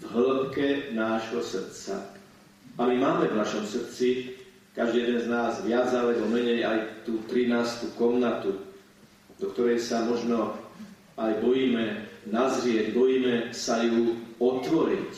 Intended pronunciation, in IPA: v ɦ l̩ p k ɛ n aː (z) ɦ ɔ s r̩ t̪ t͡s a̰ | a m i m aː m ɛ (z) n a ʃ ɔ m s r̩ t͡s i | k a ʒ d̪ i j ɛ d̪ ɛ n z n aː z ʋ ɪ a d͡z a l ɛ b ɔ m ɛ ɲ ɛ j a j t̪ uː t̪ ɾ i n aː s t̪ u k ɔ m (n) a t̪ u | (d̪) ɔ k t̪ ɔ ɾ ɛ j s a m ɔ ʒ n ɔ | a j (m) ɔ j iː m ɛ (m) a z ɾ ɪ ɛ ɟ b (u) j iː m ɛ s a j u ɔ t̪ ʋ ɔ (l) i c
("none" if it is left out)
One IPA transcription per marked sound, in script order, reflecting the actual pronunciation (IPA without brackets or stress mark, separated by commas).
ʒ, v, n, d̪, b, n, ɔ, ɾ